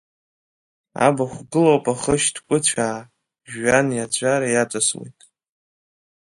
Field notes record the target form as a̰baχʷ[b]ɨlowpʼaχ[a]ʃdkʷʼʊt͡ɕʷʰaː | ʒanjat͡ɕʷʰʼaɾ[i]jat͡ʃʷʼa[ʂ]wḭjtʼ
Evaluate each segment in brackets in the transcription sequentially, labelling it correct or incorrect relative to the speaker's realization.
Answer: incorrect: ɡ, incorrect: ə, incorrect: a, incorrect: s

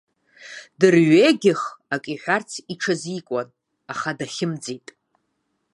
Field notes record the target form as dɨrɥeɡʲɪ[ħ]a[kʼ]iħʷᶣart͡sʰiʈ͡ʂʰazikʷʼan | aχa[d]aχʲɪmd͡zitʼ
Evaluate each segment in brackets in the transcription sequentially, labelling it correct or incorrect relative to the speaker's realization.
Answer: incorrect: χ, correct, correct

